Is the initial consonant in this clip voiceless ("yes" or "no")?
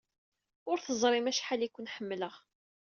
no